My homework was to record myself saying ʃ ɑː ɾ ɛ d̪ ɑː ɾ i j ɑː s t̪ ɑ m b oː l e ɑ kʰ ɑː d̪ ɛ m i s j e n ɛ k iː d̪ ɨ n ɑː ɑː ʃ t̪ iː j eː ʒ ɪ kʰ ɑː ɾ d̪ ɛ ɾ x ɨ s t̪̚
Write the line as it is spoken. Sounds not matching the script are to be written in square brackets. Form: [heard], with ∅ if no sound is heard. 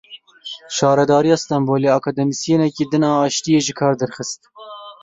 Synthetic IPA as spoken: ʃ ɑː ɾ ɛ d̪ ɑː ɾ i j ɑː s t̪ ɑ m b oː l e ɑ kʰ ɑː d̪ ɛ m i s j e n ɛ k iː d̪ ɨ n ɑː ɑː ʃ t̪ [i] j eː ʒ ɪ kʰ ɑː ɾ d̪ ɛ ɾ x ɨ s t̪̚